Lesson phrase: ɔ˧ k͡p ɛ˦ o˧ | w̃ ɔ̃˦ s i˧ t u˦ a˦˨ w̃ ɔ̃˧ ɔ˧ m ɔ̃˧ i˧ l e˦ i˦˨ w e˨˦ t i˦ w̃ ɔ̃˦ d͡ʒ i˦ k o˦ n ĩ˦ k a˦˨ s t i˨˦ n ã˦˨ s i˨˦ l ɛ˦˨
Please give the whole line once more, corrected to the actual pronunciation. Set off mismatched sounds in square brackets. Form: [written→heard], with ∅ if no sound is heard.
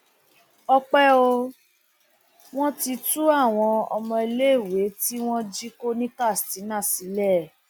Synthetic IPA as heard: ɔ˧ k͡p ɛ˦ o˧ | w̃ ɔ̃˦ [s→t] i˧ t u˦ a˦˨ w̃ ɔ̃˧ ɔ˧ m ɔ̃˧ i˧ l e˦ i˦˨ w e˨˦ t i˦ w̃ ɔ̃˦ d͡ʒ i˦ k o˦ n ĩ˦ k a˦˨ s t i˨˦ n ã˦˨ s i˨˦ l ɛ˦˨